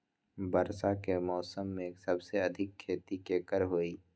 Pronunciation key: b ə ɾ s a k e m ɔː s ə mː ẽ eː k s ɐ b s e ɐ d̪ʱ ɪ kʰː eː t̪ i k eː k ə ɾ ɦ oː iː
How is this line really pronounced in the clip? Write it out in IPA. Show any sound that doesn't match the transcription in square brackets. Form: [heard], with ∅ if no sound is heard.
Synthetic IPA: b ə ɾ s a k e m ɔː s ə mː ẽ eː k s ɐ b s e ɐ d̪ʱ ɪ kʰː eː t̪ i k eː k ə ɾ ɦ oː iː

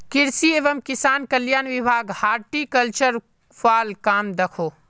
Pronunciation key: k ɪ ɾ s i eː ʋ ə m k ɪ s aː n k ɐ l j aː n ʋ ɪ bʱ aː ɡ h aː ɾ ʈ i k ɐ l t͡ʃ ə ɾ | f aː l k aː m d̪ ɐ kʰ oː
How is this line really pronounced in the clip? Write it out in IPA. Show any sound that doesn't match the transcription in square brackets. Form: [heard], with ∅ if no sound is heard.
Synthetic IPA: k ɪ ɾ s i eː ʋ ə m k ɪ s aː n k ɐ l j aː n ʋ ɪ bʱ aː ɡ h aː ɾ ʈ i k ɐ l t͡ʃ ə ɾ | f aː l k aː m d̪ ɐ kʰ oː

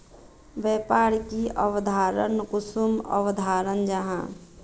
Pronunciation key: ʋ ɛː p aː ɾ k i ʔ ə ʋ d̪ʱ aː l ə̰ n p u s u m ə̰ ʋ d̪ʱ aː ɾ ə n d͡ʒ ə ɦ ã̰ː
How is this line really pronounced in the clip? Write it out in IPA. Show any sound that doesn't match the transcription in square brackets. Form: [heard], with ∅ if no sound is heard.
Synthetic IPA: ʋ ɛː p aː ɾ k i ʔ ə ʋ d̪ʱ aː [ɾ] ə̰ n [k] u s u m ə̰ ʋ d̪ʱ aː ɾ ə n d͡ʒ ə ɦ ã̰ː

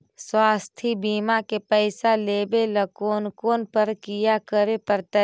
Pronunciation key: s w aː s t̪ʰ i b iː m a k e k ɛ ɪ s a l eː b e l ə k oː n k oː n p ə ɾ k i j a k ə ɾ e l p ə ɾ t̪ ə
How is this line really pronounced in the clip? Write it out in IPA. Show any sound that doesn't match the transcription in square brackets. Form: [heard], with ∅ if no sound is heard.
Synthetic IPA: s w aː s t̪ʰ i b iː m a k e [p] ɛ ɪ s a l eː b e l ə k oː n k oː n p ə ɾ k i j a k ə ɾ e [∅] p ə ɾ t̪ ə

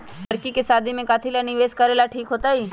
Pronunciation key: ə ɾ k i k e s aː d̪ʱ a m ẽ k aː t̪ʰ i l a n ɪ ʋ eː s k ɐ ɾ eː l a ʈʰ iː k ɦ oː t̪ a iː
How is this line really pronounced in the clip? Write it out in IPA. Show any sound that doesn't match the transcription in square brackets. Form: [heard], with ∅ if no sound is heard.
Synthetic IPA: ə ɾ k i k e s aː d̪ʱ [i] m ẽ k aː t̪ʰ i l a n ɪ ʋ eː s k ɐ ɾ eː l a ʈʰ iː k ɦ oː t̪ a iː

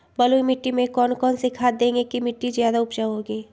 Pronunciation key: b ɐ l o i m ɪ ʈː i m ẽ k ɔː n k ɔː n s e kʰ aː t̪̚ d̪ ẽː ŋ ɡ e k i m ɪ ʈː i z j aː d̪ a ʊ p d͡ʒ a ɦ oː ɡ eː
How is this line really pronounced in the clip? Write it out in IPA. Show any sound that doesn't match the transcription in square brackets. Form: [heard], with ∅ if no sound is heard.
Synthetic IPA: b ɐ l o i m ɪ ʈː i m ẽ k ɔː n k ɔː n s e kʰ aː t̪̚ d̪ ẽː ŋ ɡ e k i m ɪ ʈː i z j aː d̪ a ʊ p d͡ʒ a ɦ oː ɡ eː

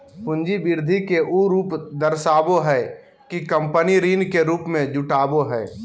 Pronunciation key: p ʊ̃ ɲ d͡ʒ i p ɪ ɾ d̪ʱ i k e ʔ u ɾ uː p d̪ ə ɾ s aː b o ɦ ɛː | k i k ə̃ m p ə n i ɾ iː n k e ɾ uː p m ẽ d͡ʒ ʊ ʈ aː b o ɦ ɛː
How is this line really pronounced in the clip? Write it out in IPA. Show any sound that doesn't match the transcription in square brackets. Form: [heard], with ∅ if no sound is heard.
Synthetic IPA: p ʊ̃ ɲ d͡ʒ i [b] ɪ ɾ d̪ʱ i k e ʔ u ɾ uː p d̪ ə ɾ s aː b o ɦ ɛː | k i k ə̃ m p ə n i ɾ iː n k e ɾ uː p m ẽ d͡ʒ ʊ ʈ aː b o ɦ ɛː

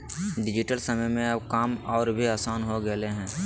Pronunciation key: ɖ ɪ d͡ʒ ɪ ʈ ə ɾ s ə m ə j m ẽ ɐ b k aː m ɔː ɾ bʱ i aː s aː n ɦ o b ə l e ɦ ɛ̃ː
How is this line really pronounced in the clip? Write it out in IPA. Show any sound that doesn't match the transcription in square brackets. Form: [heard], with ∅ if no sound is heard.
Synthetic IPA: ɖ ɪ d͡ʒ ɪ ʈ ə [l] s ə m ə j m ẽ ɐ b k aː m ɔː ɾ bʱ i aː s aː n ɦ o [ɡ] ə l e ɦ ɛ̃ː

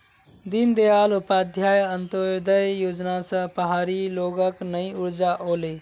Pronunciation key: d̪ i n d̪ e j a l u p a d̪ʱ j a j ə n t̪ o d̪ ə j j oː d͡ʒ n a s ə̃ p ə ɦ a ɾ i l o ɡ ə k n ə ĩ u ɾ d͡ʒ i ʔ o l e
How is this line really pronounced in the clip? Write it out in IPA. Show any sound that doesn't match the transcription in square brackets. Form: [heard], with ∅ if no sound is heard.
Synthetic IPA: d̪ i n d̪ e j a l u p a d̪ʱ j a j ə n t̪ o d̪ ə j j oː d͡ʒ n a s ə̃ p ə ɦ a ɾ i l o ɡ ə k n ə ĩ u ɾ d͡ʒ [a] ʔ o l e

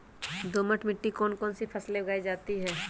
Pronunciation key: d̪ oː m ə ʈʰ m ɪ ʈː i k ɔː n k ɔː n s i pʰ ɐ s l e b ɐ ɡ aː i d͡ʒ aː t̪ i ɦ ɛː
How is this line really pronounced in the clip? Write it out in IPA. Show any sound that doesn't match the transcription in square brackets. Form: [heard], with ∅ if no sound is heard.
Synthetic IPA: d̪ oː m ə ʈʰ m ɪ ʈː i k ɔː n k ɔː n s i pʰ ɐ s l e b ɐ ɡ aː i d͡ʒ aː t̪ i ɦ ɛː

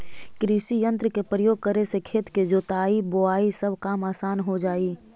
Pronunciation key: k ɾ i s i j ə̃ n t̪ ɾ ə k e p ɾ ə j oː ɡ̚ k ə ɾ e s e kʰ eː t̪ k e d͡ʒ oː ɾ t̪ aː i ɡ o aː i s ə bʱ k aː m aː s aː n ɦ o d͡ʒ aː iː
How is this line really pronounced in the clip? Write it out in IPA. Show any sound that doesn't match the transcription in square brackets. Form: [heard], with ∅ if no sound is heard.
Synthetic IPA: k ɾ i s i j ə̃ n t̪ ɾ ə k e p ɾ ə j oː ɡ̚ k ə ɾ e s e kʰ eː t̪ k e d͡ʒ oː [∅] t̪ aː i [b] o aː i s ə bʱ k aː m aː s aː n ɦ o d͡ʒ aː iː

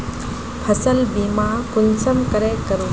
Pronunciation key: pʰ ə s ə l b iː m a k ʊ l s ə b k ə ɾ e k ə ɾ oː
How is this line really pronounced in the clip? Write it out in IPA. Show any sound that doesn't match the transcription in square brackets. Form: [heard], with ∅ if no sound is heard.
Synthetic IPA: pʰ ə s ə l b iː m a k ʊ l s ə [m] k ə ɾ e k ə ɾ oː

